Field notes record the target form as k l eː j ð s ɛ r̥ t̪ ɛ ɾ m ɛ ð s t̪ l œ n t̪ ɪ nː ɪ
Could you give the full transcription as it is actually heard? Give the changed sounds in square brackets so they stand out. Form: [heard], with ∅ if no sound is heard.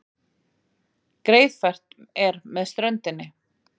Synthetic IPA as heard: k [ɾ] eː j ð [f] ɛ r̥ t̪ ɛ ɾ m ɛ ð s t̪ [ɾ] œ n t̪ ɪ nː ɪ